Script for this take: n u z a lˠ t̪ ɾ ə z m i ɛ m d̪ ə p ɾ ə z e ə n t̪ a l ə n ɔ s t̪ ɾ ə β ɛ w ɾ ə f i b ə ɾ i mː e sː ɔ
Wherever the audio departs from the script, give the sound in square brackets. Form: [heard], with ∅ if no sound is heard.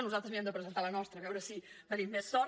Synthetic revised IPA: n u z a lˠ t̪ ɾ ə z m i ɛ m d̪ ə p ɾ ə z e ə n t̪ a l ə n ɔ s t̪ ɾ ə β ɛ w ɾ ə [s] i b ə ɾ i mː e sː ɔ